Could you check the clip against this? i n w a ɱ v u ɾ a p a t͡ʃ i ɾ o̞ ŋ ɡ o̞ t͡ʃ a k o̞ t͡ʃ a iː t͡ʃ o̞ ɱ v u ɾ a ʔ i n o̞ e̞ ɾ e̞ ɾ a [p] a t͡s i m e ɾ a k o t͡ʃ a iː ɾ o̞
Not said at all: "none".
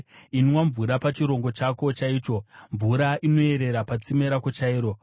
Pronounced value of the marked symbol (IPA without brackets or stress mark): p